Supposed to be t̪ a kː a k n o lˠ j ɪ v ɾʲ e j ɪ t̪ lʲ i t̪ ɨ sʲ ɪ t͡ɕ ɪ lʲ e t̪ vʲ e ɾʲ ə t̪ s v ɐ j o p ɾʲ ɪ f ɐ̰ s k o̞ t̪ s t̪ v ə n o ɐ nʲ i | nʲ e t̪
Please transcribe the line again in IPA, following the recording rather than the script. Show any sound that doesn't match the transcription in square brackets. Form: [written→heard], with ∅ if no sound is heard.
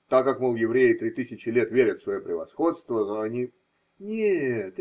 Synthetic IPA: t̪ a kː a k [n→m] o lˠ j ɪ v ɾʲ e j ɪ t̪ [lʲ→ɾʲ] i t̪ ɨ sʲ ɪ t͡ɕ ɪ lʲ e t̪ vʲ e ɾʲ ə t̪ s v ɐ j o p ɾʲ ɪ [f→v] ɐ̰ s [k→x] o̞ t̪ s t̪ v ə n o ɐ nʲ i | nʲ e t̪